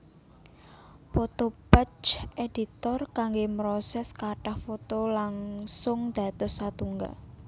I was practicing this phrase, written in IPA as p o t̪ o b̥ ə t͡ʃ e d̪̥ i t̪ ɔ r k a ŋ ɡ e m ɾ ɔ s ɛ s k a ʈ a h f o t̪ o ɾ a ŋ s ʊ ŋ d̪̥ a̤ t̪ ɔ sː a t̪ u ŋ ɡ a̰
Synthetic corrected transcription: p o t̪ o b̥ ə t͡ʃ e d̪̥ i t̪ ɔ r k a ŋ ɡ e m ɾ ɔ s ɛ s k a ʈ a h f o t̪ o l a ŋ s ʊ ŋ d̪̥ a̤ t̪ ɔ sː a t̪ u ŋ ɡ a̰